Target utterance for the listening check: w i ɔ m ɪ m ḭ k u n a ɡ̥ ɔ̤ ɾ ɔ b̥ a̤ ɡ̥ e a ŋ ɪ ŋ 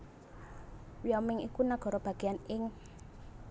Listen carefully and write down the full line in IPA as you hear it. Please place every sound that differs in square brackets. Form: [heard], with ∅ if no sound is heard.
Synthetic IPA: w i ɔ m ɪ [ŋ] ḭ k u n a ɡ̥ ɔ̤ ɾ ɔ b̥ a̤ ɡ̥ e a [n] ɪ ŋ